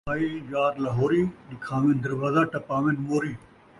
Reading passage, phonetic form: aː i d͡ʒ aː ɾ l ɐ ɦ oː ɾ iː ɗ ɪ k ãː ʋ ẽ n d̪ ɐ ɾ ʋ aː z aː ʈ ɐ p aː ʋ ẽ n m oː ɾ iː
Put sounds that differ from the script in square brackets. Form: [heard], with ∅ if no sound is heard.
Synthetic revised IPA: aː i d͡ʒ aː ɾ l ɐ ɦ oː ɾ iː ɗ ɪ [kʰ] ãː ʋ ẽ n d̪ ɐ ɾ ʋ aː z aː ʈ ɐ p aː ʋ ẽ n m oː ɾ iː